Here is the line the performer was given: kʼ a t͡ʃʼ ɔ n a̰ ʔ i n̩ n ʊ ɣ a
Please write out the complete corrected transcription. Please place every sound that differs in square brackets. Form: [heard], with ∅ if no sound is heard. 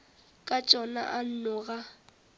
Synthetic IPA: kʼ a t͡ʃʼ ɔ n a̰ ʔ [a] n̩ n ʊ ɣ a